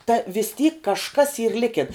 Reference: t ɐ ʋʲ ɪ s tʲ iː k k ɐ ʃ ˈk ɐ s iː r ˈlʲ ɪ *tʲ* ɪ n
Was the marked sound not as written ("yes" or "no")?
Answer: yes